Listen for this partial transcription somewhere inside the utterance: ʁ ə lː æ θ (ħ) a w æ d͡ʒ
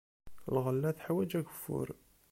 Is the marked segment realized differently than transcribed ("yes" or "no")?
no